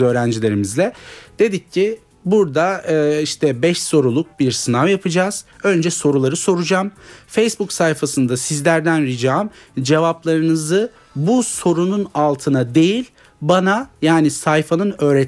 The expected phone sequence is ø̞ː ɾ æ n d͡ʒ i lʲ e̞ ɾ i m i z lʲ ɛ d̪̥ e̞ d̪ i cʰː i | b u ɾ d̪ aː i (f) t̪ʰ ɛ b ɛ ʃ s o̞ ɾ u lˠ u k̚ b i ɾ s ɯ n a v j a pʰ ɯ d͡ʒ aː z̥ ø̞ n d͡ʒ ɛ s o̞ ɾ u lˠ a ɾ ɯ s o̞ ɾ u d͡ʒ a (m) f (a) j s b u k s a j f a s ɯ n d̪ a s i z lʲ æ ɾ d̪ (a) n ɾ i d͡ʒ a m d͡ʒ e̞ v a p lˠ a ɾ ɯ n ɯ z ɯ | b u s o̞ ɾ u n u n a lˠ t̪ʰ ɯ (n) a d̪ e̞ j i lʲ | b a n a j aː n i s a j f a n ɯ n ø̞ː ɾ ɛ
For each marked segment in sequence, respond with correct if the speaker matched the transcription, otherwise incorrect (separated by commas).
incorrect, correct, incorrect, incorrect, correct